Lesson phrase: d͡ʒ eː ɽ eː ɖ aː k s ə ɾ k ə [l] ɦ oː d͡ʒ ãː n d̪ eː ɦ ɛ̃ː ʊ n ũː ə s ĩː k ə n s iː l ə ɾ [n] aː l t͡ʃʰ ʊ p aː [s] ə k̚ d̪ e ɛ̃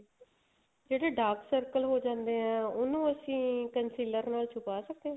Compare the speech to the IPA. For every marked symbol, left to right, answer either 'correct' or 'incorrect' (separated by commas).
correct, correct, correct